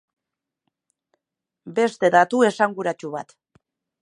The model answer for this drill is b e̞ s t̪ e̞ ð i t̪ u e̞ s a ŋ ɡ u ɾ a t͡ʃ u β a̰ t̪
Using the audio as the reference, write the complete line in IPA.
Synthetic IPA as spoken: b e̞ s t̪ e̞ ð a t̪ u e̞ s a ŋ ɡ u ɾ a t͡ʃ u β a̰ t̪